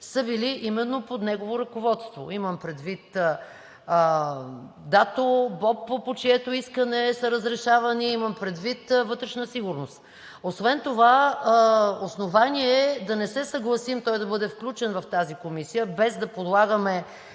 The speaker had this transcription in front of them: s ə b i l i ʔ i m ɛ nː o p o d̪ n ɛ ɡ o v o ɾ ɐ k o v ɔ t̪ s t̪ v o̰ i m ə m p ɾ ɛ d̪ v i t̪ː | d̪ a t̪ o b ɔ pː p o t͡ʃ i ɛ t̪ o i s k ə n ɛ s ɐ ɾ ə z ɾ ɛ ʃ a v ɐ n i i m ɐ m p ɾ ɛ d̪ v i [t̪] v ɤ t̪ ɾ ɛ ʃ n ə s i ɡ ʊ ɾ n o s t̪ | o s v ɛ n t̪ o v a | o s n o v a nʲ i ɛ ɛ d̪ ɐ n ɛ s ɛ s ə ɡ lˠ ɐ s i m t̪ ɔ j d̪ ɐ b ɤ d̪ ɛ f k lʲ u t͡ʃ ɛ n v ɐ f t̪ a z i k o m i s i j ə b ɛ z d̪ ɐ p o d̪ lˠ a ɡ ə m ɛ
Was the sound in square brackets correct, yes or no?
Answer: yes